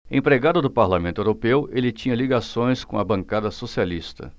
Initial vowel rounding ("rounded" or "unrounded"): unrounded